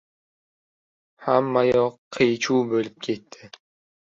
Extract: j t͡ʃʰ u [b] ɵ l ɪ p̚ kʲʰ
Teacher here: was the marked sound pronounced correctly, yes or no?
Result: yes